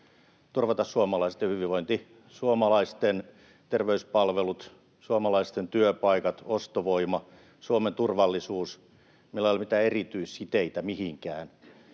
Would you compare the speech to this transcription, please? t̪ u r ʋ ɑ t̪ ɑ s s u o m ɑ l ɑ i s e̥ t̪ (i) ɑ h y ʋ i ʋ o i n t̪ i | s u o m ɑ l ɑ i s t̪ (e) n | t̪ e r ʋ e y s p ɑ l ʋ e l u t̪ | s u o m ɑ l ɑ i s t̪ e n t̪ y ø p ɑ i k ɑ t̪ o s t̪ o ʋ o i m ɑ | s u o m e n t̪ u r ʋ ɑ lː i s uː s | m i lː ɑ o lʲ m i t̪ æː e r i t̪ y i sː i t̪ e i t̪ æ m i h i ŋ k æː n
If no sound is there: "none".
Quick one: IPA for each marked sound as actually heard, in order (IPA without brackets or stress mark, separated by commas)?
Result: j, e